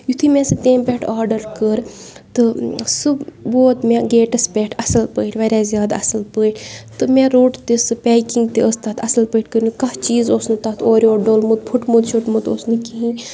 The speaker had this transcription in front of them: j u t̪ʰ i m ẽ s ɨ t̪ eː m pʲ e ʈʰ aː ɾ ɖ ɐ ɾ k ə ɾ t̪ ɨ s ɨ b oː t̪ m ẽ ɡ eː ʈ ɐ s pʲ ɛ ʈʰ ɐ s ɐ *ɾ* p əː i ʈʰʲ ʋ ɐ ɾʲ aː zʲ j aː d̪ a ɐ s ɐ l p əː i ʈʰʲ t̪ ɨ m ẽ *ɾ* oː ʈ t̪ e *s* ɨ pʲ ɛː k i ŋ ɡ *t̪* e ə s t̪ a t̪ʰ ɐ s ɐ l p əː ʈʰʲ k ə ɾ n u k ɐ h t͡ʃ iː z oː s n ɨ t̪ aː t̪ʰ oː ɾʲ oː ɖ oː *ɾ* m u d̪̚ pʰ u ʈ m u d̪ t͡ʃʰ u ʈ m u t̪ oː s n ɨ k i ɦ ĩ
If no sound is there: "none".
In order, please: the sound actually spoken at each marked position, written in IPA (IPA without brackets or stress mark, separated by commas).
l, ɾ, s, t̪, l